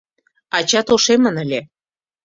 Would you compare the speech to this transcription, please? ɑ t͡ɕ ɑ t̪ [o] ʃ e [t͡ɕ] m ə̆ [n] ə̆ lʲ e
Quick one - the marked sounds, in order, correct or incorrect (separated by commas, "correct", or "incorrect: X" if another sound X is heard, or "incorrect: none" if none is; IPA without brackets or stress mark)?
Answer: correct, incorrect: none, correct